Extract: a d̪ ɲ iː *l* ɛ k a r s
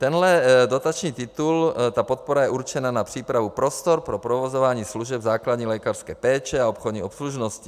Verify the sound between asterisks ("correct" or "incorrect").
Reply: correct